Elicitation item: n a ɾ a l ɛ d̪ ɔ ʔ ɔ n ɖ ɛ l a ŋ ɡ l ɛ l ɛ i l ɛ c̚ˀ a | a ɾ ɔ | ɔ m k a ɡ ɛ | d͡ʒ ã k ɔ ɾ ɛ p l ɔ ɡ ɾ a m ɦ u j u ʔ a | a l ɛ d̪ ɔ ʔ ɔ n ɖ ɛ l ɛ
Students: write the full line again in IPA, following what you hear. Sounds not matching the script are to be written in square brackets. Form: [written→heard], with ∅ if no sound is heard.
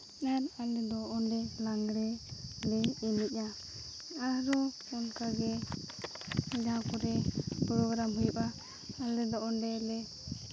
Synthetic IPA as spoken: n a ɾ a l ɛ d̪ ɔ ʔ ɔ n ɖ ɛ l a ŋ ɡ [l→ɾ] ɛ l ɛ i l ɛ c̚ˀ a | a ɾ ɔ | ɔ [m→n] k a ɡ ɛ | d͡ʒ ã k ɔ ɾ ɛ p [l→ɾ] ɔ ɡ ɾ a m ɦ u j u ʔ a | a l ɛ d̪ ɔ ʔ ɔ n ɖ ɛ l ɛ